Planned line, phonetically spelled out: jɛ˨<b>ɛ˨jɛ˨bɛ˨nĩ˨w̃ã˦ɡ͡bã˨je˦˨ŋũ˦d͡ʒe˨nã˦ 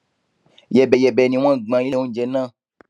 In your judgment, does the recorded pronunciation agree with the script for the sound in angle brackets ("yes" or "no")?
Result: yes